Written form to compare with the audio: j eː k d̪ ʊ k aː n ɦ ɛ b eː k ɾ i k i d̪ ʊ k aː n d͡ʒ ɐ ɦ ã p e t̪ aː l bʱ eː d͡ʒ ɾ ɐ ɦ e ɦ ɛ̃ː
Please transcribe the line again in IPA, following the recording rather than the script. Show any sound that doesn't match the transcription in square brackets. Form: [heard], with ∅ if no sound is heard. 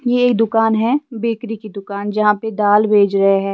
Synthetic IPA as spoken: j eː k d̪ ʊ k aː n ɦ ɛ b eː k ɾ i k i d̪ ʊ k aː n d͡ʒ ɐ ɦ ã p e [d̪] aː l bʱ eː d͡ʒ ɾ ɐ ɦ e ɦ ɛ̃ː